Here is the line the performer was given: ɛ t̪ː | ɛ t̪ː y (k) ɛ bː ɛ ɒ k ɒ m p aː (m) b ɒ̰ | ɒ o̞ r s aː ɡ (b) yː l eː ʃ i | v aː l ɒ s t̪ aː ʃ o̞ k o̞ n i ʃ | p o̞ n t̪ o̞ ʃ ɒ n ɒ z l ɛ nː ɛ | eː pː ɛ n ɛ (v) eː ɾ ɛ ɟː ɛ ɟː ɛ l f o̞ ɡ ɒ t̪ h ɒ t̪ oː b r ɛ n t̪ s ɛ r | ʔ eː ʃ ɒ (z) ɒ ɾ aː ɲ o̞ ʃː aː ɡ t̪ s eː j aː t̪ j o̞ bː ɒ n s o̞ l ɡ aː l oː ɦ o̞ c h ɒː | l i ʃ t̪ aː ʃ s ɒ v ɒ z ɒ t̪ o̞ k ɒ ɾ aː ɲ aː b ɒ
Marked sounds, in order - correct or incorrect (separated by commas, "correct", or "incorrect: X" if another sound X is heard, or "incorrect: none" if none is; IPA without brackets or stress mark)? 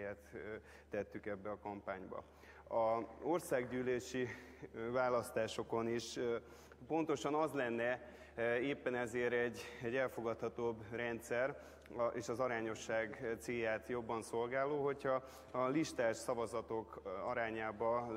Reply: correct, incorrect: ɲ, incorrect: ɟ, incorrect: z, correct